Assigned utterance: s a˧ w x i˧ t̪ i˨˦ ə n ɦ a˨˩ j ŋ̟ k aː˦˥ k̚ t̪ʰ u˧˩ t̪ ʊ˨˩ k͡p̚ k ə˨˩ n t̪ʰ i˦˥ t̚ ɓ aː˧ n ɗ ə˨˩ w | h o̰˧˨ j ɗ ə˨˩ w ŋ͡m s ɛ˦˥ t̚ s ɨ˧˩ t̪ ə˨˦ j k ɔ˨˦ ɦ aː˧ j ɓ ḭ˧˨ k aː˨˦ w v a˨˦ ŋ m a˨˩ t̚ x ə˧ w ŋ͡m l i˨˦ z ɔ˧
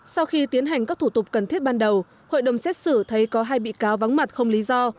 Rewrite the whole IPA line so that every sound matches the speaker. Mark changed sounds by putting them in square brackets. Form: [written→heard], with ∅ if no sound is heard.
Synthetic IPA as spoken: s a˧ w x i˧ t̪ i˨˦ ə n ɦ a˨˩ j ŋ̟ k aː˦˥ k̚ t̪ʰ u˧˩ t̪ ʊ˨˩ k͡p̚ k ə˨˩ n t̪ʰ i˦˥ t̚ ɓ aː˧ n ɗ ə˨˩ w | h o̰˧˨ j ɗ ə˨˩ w ŋ͡m s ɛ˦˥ t̚ s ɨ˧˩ [t̪→t̪ʰ] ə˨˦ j k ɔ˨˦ ɦ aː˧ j ɓ ḭ˧˨ k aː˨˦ w v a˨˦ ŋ m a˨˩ t̚ x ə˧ w ŋ͡m l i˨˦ z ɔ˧